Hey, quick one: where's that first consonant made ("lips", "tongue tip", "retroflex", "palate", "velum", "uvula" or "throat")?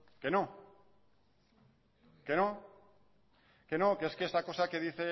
velum